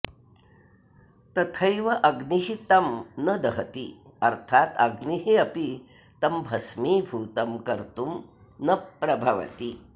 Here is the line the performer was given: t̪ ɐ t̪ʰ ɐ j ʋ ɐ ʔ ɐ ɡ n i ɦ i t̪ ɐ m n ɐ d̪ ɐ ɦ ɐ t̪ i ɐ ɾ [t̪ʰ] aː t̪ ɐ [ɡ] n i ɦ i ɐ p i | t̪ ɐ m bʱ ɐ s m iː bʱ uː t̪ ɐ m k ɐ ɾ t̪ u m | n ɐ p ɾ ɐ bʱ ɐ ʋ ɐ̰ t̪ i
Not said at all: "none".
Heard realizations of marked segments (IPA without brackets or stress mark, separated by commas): t̪ʰ, ɡ